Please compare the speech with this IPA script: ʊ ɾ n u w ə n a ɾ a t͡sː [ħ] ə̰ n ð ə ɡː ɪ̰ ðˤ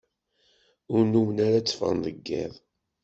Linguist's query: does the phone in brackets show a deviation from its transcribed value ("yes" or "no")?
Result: yes